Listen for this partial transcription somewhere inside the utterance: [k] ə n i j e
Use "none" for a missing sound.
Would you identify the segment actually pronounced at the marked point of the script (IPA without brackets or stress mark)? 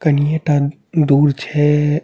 k